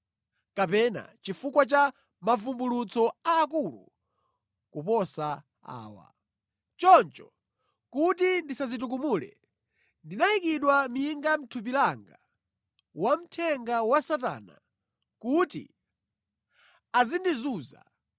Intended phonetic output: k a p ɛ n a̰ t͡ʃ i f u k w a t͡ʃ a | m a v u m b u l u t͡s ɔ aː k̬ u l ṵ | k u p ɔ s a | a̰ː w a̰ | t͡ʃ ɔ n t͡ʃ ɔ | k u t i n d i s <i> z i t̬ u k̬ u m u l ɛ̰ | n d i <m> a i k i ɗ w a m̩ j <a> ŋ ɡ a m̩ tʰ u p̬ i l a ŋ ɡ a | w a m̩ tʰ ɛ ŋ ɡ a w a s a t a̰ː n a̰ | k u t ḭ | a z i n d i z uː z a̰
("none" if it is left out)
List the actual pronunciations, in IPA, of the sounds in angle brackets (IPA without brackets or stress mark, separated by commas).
a, n, i